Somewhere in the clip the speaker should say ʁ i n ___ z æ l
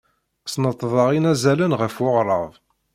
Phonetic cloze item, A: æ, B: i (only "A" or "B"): A